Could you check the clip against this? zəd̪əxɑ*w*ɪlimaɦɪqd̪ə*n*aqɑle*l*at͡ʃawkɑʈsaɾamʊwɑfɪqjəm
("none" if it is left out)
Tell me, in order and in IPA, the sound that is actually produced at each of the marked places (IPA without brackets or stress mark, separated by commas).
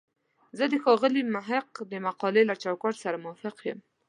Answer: ɣ, m, l